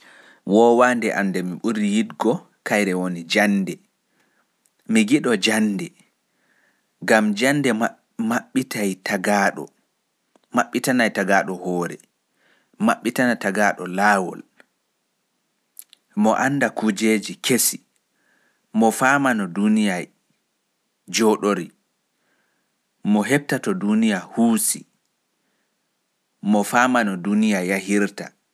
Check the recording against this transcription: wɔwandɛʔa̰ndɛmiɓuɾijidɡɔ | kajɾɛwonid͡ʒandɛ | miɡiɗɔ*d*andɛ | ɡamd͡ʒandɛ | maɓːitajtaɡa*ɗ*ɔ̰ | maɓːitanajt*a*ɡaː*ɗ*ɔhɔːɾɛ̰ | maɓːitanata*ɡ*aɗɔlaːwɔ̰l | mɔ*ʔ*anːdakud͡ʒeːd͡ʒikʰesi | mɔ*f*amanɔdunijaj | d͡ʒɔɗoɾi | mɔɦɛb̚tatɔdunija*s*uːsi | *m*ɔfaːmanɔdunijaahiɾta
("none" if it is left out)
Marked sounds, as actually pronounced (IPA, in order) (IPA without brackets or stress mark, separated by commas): d͡ʒ, ɗ, a, ɗ, ɡ, ʔ, f, h, m